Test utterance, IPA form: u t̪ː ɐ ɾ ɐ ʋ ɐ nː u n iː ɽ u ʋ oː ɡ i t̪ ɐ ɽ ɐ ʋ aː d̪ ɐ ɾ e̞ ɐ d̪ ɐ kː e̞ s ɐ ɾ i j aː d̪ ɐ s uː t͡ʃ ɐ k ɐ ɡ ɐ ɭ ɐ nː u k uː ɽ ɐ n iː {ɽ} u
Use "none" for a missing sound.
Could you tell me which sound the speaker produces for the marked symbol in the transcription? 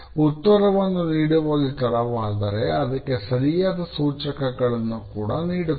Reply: ɽ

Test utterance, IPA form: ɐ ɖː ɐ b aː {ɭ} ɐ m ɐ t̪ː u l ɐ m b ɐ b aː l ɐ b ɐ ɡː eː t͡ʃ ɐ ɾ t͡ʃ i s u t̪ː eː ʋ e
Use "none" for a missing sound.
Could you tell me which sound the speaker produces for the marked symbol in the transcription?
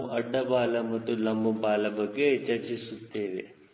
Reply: l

